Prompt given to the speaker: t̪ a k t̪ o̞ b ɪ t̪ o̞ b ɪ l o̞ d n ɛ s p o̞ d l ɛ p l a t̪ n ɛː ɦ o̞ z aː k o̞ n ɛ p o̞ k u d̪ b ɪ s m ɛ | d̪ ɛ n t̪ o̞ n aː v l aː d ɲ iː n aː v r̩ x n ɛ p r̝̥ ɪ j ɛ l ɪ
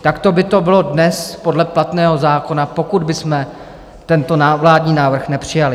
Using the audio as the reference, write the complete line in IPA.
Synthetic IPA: t̪ a k t̪ o̞ b ɪ t̪ o̞ b ɪ l o̞ d n ɛ s p o̞ d l ɛ p l a t̪ n ɛː ɦ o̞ z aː k o̞ n a p o̞ k u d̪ b ɪ s m ɛ | t̪ ɛ n t̪ o̞ n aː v l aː d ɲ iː n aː v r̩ x n ɛ p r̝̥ ɪ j a l ɪ